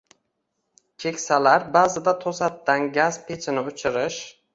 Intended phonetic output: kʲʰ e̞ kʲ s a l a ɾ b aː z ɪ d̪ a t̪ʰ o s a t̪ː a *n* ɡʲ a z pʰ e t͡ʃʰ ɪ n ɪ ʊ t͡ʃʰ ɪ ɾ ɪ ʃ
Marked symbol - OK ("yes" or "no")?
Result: yes